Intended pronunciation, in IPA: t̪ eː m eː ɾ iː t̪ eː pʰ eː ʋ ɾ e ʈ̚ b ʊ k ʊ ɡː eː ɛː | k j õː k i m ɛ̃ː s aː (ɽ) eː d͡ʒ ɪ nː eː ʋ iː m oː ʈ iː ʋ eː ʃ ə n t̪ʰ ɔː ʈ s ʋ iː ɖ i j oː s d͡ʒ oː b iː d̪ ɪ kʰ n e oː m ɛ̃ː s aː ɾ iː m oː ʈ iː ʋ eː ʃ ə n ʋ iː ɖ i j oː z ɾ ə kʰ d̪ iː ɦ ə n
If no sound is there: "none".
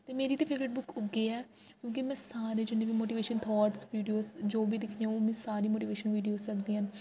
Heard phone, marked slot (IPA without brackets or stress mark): ɾ